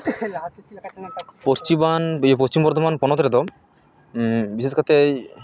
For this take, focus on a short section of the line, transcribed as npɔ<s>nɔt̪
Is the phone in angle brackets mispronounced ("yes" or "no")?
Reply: yes